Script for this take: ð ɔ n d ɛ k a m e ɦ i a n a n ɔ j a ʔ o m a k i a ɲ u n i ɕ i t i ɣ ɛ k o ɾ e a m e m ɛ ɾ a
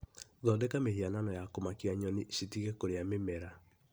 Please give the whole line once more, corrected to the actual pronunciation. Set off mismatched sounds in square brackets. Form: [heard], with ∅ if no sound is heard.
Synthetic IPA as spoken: ð ɔ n d ɛ k a m e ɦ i a n a n ɔ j a [k] o m a k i a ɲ [ɔ] n i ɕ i t i ɣ ɛ k o ɾ e a m e m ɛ ɾ a